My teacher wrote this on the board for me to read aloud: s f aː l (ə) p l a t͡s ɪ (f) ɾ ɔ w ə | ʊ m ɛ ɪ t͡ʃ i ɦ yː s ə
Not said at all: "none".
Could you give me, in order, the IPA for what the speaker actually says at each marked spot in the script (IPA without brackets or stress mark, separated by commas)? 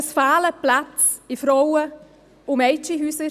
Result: ə, f